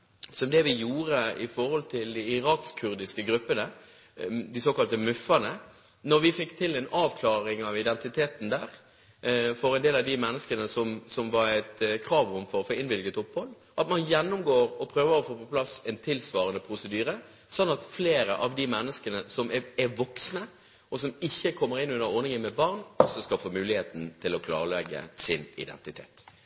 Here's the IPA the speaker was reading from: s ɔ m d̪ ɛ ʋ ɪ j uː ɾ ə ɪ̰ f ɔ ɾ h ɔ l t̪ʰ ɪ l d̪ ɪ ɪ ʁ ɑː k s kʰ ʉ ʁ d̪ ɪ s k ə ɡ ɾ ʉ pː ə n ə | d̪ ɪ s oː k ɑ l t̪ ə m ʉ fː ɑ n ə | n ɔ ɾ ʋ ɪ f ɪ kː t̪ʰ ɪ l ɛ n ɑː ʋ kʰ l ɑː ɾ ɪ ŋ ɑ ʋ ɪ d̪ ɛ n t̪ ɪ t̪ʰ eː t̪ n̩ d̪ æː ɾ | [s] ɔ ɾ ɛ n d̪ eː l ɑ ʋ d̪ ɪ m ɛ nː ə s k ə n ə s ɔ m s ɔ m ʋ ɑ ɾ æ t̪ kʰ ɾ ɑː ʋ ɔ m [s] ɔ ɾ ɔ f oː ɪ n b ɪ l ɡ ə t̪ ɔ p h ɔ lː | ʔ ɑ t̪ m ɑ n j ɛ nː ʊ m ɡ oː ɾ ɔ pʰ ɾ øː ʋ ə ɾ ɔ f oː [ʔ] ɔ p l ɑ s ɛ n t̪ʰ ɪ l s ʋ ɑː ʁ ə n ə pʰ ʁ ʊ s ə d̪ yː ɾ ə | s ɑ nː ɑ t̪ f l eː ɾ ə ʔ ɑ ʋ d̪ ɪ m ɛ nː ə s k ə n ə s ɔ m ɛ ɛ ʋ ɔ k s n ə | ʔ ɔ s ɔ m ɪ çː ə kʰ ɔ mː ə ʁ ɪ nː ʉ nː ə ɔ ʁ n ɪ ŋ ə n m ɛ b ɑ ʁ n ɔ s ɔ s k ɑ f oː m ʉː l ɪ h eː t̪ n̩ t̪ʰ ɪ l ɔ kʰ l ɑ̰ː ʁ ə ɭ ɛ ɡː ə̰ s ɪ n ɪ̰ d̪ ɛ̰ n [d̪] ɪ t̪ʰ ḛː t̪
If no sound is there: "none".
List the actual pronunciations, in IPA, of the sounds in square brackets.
f, f, p, t̪

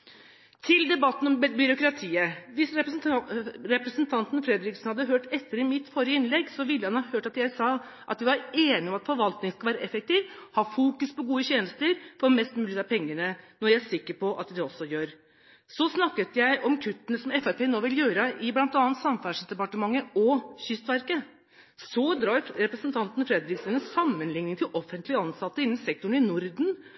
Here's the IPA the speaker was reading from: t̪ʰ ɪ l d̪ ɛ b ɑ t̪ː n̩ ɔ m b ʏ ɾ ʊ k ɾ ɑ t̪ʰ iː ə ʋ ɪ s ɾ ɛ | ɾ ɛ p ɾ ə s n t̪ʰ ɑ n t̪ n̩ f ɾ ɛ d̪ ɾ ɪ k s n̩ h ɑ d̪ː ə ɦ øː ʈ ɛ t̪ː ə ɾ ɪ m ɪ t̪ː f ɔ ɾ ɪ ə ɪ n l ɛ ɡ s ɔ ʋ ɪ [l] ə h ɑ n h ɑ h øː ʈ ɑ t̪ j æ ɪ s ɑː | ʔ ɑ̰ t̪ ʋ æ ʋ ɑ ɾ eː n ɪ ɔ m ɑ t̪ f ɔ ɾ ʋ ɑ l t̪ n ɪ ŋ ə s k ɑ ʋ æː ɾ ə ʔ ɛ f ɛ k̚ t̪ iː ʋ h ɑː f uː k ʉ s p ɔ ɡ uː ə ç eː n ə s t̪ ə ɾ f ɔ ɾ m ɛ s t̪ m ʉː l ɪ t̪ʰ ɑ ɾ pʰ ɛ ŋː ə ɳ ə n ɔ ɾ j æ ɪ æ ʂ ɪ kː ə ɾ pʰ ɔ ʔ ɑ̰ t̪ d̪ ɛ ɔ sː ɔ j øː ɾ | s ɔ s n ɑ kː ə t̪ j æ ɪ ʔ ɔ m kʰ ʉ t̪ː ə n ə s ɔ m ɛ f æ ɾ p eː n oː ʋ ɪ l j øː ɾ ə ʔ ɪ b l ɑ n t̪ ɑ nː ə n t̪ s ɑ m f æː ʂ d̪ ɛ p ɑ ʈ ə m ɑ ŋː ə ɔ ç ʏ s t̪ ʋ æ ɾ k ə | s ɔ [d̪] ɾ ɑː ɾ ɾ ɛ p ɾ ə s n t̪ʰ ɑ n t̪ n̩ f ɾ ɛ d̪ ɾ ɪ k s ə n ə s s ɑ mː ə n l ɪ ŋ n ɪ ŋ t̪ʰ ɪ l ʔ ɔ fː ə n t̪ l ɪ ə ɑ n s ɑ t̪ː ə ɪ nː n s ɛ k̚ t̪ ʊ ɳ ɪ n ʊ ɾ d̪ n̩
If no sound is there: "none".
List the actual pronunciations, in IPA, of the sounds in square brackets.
lː, d̪

